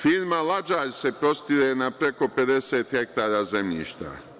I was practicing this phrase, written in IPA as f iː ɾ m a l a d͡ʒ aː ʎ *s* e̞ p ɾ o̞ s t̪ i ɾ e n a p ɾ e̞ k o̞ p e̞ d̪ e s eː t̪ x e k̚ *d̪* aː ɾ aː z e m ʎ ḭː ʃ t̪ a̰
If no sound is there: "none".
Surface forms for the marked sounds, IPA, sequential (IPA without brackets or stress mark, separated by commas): s, t̪